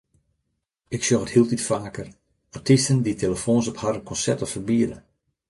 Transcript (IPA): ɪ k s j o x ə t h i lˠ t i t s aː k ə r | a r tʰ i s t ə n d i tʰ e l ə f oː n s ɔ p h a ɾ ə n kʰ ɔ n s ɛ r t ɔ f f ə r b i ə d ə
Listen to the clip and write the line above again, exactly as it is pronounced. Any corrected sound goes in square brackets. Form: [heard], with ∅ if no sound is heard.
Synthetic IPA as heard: ɪ k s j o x ə t h i lˠ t i t [f] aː k ə r | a r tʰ i s t ə n d i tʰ e l ə f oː n s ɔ p h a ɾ ə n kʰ ɔ n s ɛ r t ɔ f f ə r b i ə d ə